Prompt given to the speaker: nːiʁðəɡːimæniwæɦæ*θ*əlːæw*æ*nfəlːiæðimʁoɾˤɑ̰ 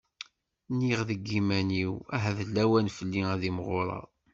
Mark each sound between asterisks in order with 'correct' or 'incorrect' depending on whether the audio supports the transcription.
incorrect: ð, correct

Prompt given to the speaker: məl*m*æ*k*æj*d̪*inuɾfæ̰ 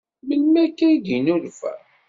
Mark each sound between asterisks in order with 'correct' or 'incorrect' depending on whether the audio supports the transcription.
correct, correct, correct

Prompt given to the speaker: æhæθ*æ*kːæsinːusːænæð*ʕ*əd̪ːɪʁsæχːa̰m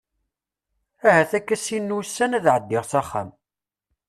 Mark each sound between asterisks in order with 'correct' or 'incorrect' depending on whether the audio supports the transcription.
correct, correct

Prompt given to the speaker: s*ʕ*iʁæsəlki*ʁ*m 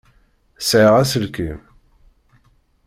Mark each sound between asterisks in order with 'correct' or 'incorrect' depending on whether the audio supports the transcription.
correct, incorrect: none

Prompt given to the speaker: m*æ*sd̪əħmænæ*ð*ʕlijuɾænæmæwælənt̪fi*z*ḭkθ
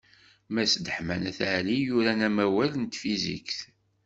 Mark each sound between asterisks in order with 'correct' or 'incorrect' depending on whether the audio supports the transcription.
correct, incorrect: θ, correct

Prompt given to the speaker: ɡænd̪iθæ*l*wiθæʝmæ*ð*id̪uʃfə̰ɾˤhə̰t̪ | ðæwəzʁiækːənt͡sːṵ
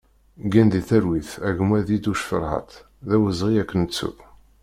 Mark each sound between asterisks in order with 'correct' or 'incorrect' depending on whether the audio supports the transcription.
incorrect: ɾ, correct

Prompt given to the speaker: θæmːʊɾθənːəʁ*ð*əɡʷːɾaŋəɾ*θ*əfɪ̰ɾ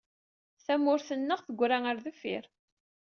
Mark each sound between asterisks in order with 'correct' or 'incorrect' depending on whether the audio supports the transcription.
incorrect: θ, incorrect: ð

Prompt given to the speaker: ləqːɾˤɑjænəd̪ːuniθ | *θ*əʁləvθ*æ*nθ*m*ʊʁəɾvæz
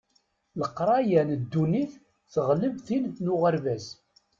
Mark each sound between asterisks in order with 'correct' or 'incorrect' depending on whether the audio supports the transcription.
correct, incorrect: i, incorrect: n

